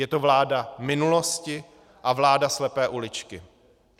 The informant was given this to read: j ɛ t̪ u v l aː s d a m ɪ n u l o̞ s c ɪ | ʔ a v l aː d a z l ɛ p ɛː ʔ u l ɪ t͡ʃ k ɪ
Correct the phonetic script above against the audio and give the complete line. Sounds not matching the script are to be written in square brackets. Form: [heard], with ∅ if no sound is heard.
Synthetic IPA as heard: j ɛ t̪ [o] v l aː [∅] d a m ɪ n u l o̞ s c ɪ | ʔ a v l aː d a [s] l ɛ p ɛː ʔ u l ɪ t͡ʃ k ɪ